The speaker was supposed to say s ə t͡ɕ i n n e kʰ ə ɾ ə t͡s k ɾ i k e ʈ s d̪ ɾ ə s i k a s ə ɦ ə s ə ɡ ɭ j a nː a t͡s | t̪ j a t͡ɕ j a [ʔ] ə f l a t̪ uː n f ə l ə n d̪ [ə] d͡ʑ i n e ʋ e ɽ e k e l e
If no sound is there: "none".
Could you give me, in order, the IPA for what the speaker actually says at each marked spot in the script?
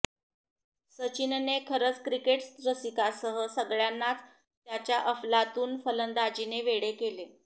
ʔ, a

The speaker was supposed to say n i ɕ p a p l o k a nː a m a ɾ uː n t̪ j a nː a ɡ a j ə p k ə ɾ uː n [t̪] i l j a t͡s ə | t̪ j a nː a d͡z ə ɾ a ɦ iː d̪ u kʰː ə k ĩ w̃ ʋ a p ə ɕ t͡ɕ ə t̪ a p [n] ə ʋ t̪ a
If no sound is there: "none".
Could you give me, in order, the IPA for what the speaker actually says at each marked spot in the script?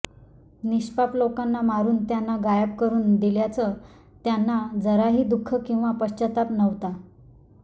d̪, n

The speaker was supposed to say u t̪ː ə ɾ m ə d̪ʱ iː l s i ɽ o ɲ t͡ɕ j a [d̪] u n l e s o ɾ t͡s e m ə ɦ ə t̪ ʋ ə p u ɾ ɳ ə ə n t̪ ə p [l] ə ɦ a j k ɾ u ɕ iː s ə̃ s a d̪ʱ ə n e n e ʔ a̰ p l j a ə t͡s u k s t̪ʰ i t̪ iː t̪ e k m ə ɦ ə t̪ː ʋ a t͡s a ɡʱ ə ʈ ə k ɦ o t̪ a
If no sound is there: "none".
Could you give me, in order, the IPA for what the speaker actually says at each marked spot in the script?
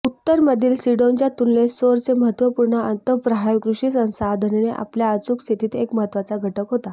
t̪, ɾ

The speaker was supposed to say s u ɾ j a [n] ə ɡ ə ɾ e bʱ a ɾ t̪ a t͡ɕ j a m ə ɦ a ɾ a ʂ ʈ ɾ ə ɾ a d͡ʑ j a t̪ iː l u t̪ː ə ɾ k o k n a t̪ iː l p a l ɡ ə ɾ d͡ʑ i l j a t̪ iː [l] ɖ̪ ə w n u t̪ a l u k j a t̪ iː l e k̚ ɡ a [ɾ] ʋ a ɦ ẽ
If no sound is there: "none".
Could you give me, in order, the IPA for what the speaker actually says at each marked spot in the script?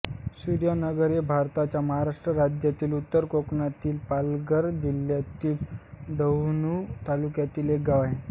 n, l, none

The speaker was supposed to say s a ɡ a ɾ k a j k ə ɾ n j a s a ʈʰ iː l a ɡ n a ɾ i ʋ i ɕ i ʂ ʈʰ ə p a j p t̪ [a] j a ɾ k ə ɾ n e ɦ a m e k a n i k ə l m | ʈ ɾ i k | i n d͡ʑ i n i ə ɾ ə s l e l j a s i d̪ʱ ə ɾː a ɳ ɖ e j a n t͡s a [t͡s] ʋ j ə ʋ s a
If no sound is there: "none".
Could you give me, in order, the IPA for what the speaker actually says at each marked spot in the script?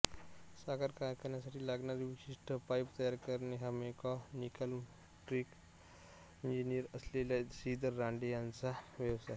ə, none

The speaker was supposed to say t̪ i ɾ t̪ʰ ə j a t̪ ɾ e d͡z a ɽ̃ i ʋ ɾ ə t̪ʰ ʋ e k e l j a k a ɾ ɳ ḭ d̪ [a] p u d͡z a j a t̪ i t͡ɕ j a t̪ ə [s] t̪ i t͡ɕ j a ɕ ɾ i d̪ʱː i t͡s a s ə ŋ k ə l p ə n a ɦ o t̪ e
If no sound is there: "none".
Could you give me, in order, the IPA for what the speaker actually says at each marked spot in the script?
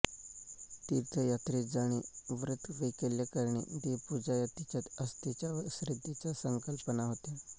e, s

